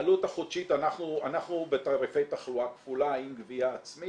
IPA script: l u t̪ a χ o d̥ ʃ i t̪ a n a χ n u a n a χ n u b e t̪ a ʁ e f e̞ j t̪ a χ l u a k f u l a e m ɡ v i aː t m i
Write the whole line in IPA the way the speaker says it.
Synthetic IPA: l u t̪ a χ o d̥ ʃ i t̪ a n a χ n u a n a χ n u b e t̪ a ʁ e f e̞ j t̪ a χ l u a k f u l a i m ɡ v i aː t͡s m i